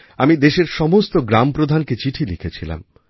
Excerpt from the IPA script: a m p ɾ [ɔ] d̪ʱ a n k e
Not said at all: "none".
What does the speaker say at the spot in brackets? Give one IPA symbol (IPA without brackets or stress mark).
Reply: o